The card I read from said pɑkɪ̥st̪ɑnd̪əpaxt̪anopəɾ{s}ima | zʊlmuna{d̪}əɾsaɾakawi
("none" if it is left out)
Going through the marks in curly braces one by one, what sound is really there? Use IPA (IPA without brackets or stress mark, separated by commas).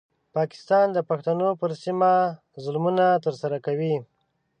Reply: s, t̪